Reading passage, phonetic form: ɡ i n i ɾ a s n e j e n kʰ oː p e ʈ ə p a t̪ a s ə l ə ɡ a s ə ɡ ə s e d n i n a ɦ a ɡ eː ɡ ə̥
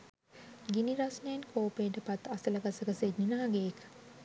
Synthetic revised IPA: ɡ i n i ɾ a s n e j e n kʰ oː p e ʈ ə p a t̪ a s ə l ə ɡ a s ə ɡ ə s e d n i n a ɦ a ɡ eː k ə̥